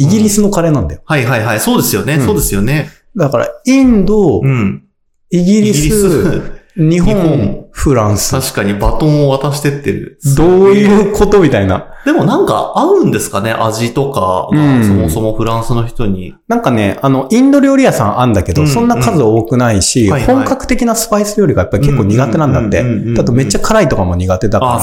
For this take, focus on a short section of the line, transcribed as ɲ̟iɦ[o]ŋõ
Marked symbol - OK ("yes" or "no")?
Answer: no